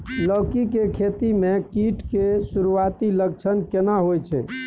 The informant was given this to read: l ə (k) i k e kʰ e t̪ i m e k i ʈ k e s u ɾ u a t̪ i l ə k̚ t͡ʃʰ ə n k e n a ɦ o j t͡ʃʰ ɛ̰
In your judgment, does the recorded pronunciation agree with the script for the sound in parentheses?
yes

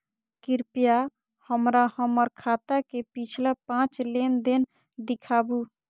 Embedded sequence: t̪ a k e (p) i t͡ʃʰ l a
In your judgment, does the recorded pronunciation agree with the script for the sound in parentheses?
yes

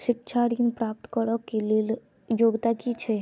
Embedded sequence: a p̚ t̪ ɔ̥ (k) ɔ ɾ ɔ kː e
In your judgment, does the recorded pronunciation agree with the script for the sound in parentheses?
yes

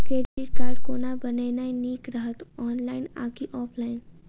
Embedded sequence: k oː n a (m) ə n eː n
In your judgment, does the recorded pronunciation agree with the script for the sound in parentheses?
no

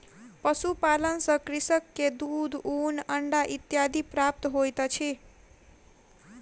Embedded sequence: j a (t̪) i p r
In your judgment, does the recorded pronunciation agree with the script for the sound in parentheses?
no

